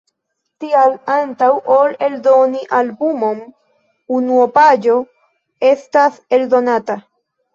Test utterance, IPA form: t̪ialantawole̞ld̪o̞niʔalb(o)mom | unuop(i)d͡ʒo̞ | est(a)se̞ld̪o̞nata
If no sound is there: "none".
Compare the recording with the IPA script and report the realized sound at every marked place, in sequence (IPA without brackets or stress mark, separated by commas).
u, a, a